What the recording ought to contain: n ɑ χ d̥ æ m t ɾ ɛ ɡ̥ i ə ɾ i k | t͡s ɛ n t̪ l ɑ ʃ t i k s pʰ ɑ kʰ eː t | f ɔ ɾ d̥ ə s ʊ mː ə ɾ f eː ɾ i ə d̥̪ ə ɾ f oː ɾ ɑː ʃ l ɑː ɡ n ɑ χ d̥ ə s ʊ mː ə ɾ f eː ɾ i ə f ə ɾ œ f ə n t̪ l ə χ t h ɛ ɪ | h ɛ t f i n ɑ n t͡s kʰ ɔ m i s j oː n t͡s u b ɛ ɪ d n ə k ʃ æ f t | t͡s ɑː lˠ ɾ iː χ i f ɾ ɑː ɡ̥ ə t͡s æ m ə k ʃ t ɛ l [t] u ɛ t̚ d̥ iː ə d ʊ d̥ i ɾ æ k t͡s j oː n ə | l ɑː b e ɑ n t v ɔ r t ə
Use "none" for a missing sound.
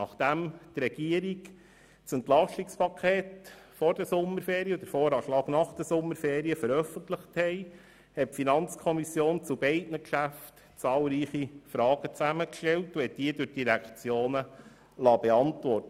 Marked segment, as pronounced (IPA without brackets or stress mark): t